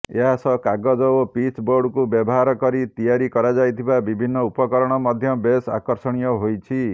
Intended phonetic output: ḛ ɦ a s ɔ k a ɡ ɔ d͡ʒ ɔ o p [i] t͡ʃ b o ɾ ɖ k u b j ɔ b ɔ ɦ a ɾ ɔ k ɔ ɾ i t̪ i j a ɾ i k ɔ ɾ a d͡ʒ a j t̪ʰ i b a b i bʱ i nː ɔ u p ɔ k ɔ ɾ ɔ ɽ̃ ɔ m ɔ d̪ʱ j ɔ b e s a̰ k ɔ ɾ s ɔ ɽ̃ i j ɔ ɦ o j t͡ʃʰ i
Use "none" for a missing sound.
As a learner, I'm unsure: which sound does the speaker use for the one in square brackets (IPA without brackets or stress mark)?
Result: i